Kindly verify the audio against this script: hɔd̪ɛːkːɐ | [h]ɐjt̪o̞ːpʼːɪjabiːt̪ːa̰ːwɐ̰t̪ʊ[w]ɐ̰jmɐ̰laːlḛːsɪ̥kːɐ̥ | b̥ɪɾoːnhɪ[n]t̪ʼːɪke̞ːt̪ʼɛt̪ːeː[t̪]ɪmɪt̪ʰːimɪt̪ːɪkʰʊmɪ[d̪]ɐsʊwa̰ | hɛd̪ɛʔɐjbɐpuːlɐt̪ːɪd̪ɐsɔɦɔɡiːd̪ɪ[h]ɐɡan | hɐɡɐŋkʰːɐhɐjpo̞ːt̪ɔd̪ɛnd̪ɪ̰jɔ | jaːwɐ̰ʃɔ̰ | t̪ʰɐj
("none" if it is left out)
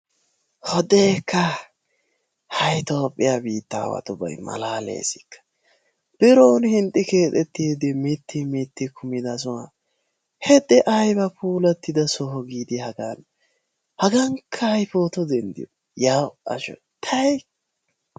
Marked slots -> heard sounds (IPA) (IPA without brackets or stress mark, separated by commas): h, b, n, d̪, d̪, h